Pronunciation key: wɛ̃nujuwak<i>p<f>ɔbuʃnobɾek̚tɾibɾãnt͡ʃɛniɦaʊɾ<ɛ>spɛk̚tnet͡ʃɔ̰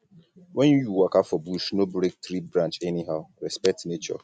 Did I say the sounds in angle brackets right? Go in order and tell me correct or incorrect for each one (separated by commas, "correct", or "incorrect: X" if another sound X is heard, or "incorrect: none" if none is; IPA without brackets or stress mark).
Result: incorrect: a, correct, correct